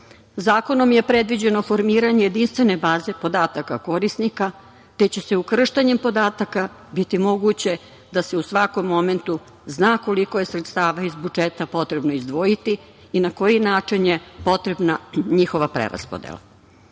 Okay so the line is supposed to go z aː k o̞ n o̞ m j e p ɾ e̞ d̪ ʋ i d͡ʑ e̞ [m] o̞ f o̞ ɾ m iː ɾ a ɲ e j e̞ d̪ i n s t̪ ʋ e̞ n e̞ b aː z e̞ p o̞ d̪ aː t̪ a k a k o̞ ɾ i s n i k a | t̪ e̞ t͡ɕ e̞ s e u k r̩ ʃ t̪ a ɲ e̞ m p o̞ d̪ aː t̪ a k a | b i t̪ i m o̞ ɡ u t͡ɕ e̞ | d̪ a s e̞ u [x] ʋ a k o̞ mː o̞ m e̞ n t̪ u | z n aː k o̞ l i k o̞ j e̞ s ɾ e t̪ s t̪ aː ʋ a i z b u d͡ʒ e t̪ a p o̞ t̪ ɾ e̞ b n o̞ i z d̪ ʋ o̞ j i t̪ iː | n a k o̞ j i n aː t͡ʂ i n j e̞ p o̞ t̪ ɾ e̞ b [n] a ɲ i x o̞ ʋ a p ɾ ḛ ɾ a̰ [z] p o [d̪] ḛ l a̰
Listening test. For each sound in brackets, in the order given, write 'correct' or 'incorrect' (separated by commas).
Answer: incorrect, incorrect, correct, incorrect, correct